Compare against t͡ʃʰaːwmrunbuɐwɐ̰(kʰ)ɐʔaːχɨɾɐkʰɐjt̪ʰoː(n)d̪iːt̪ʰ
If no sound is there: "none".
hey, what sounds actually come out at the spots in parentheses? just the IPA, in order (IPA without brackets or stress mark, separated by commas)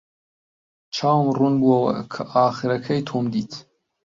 kʰ, m